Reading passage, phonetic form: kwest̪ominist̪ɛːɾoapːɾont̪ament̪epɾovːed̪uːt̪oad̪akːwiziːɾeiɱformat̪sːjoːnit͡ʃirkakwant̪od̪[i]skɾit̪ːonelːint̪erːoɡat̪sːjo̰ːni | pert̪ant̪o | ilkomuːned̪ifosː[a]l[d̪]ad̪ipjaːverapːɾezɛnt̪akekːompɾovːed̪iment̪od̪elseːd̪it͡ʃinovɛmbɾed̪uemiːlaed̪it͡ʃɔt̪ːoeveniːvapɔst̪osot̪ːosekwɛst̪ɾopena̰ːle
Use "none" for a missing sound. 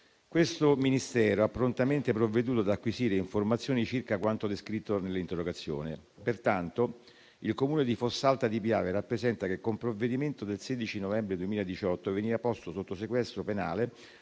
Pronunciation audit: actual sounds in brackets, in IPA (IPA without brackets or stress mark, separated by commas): e, a, t̪